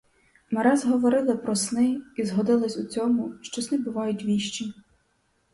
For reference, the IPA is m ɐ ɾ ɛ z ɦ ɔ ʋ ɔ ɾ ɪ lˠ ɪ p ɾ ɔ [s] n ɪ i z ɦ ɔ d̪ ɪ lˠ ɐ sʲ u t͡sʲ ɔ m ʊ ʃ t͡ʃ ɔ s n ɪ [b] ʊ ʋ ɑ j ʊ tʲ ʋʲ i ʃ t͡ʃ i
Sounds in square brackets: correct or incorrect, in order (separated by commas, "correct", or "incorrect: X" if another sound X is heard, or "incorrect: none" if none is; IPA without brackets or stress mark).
correct, correct